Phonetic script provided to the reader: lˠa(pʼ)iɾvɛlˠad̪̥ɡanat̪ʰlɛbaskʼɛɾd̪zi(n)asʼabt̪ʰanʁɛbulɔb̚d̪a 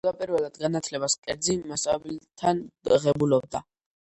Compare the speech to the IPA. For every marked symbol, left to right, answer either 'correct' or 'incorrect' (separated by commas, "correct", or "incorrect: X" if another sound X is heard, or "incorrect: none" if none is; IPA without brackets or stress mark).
correct, incorrect: m